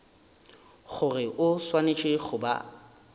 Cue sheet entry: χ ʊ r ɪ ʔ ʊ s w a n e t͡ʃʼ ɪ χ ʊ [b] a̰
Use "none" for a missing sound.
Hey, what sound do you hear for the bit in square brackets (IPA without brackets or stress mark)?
b